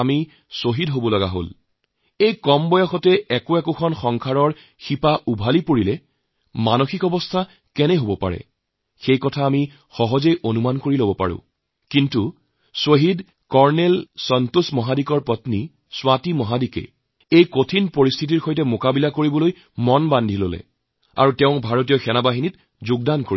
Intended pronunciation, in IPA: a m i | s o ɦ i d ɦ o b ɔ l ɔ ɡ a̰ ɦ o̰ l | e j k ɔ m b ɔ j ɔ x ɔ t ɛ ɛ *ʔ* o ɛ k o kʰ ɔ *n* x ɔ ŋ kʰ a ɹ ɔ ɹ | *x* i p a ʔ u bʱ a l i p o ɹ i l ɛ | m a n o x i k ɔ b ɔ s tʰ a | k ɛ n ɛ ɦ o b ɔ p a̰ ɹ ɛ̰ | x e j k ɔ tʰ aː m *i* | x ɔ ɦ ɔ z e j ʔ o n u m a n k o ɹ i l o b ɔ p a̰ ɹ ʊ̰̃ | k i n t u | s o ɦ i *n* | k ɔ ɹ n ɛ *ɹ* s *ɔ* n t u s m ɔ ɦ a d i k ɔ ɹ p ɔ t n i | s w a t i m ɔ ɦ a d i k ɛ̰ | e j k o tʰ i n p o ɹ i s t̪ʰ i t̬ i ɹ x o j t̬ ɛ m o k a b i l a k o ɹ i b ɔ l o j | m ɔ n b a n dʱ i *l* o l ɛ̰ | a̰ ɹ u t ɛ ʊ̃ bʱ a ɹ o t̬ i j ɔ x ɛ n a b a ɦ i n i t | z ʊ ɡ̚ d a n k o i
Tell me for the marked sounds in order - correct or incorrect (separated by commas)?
incorrect, correct, correct, correct, incorrect, incorrect, correct, correct